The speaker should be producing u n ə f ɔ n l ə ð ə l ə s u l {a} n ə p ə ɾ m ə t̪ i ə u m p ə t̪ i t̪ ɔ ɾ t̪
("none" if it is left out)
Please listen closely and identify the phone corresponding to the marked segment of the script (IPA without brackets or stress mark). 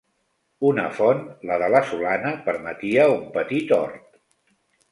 a